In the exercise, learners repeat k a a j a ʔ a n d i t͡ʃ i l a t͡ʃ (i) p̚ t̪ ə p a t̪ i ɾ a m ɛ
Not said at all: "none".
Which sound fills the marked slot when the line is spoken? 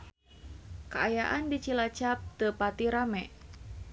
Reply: a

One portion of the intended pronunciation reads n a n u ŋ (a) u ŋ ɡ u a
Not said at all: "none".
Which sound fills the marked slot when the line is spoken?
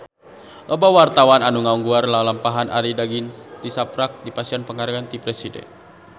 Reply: a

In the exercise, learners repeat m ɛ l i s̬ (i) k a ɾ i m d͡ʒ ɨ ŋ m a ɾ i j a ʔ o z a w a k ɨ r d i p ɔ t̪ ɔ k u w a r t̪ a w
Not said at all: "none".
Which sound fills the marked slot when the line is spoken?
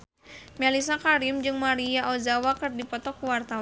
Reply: a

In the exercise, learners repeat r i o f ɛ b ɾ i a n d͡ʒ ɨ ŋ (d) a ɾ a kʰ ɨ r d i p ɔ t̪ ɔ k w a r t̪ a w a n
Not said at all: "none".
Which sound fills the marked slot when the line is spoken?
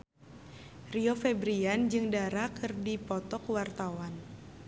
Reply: d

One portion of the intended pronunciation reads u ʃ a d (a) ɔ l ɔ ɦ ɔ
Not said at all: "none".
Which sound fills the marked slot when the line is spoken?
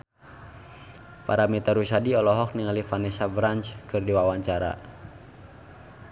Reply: i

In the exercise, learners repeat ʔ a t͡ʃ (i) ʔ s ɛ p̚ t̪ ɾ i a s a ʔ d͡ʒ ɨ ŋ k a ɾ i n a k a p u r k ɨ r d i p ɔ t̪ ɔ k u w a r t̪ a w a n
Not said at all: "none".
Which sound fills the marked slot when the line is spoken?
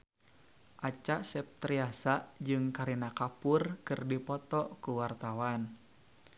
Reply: a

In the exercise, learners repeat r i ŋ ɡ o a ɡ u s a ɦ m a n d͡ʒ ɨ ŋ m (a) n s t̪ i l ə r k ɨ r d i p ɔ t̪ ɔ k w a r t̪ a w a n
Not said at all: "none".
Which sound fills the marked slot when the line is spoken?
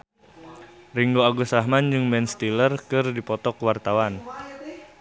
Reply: ɛ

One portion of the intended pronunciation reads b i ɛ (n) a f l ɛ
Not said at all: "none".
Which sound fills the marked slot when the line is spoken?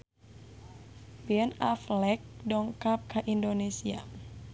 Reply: n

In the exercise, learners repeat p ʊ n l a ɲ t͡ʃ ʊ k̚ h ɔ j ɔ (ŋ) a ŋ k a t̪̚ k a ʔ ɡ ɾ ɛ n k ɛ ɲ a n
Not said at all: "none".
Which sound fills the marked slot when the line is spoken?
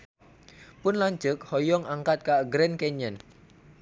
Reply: ŋ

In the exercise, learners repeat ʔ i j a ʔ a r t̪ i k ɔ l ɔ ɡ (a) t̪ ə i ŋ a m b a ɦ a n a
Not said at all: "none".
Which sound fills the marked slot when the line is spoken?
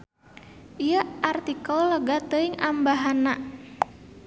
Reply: a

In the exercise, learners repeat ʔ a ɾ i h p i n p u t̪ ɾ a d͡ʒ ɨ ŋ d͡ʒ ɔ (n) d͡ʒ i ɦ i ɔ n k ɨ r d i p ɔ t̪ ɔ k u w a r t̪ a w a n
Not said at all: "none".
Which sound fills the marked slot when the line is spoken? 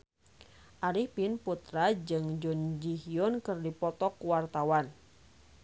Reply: n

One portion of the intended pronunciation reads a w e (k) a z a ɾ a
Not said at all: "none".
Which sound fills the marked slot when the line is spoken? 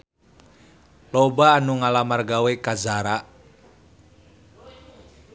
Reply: k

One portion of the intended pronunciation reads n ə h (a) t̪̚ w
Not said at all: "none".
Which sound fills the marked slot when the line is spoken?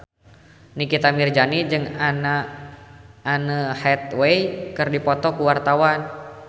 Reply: ɛ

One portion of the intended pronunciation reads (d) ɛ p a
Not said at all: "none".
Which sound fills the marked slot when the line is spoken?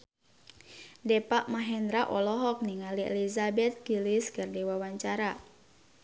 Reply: d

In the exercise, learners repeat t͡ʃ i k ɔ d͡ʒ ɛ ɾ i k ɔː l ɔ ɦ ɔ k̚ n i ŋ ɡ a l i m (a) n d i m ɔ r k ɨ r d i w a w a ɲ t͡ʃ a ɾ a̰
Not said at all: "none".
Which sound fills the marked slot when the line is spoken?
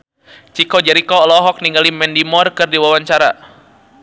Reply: ɛ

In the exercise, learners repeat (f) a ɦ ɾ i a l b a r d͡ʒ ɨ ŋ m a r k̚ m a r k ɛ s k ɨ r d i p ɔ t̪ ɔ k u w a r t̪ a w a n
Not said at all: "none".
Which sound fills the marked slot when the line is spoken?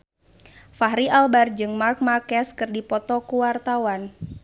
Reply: f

